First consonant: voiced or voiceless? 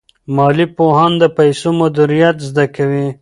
voiced